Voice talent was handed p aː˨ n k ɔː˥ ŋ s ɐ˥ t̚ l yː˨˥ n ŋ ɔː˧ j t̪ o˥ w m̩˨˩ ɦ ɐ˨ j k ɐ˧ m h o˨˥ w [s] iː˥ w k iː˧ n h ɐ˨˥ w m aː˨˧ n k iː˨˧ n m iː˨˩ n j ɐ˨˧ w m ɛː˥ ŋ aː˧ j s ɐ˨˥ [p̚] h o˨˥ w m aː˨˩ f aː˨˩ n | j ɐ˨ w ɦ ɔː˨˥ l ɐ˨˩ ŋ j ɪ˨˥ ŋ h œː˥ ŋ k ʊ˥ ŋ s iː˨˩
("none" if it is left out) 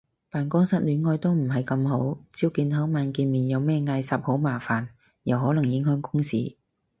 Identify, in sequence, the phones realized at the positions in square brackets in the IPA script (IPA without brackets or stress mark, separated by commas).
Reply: t͡s, p̚